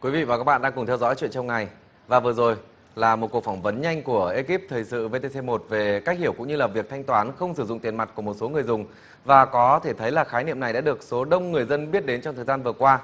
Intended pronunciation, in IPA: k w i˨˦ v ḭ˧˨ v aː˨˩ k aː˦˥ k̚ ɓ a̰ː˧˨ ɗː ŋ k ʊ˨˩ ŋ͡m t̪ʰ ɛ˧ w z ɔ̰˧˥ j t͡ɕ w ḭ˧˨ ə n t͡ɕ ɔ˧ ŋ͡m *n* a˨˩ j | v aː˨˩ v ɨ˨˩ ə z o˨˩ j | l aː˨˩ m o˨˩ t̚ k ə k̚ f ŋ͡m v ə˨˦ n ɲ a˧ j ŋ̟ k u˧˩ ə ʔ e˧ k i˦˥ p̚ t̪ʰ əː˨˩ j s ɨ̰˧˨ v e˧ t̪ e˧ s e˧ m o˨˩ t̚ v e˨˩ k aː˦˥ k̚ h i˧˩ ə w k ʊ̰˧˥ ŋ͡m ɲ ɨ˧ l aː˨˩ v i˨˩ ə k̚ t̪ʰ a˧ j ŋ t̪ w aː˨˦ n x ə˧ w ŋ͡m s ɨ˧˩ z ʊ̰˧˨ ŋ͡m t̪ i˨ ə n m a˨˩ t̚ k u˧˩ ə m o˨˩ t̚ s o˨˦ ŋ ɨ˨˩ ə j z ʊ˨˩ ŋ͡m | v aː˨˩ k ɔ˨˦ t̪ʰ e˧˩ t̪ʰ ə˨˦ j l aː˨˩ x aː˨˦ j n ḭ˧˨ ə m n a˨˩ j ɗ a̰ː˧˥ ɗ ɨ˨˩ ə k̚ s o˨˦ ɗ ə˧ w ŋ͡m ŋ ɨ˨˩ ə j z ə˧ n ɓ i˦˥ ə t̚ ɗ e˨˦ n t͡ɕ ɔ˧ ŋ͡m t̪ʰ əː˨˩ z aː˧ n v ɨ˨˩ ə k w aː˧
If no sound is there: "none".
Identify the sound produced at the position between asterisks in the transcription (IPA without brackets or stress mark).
ŋ